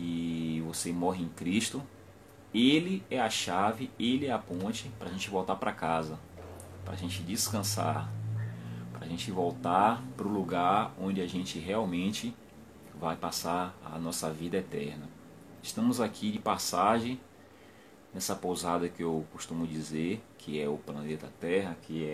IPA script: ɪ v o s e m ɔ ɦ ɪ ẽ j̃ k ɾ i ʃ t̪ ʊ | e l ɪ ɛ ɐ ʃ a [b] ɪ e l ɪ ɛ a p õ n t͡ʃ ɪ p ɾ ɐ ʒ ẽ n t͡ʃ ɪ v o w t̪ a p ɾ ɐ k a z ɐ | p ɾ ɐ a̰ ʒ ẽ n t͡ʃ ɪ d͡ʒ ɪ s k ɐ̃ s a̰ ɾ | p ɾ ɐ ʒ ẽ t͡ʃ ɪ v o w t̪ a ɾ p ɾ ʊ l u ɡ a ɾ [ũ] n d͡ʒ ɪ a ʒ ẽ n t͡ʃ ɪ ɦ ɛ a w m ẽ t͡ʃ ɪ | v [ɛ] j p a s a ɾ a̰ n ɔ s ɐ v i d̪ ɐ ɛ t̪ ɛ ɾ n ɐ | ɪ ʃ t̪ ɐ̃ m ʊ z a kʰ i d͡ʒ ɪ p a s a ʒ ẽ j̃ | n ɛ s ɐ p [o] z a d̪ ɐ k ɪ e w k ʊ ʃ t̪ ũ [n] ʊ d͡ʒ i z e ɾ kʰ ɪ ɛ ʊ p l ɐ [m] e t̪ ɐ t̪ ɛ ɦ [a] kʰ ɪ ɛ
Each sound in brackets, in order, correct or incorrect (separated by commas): incorrect, incorrect, incorrect, correct, incorrect, incorrect, incorrect